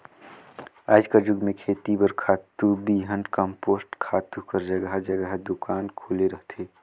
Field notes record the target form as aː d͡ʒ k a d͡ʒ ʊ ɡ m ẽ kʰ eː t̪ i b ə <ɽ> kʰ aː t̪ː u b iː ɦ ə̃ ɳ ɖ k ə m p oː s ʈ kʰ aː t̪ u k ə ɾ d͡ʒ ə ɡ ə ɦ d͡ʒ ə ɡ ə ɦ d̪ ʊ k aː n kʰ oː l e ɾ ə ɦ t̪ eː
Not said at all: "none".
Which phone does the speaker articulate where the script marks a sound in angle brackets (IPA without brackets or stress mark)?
ɾ